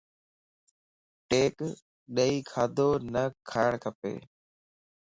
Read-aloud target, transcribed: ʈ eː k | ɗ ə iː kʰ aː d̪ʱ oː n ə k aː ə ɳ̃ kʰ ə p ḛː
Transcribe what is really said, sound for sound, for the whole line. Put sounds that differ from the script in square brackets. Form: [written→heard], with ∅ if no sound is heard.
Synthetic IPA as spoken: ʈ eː k | ɗ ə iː kʰ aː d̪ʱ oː n ə [k→kʰ] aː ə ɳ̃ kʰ ə p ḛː